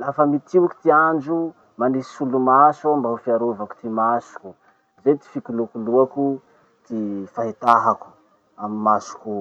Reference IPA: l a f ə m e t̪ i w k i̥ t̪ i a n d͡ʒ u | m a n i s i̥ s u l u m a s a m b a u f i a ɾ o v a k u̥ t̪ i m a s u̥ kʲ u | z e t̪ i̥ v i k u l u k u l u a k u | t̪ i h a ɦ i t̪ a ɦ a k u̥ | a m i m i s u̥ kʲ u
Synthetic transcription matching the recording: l a f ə m i t̪ i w k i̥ t̪ i a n d͡ʒ u | m a n i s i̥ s u l u m a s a m b a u f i a ɾ o v a k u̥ t̪ i m a s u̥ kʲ u | z e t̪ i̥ f i k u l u k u l u a k u | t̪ i f a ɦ i t̪ a ɦ a k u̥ | a m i m a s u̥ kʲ u